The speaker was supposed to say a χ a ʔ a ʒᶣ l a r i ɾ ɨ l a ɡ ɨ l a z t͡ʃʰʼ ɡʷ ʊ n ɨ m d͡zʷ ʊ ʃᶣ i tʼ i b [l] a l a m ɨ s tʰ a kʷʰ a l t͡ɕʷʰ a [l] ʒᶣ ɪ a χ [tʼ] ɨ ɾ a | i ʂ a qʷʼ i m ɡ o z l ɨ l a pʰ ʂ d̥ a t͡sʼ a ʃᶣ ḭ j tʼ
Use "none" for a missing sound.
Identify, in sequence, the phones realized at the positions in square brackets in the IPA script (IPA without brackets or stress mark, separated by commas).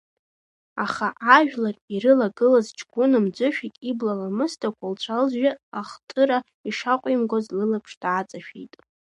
l, l, tʼ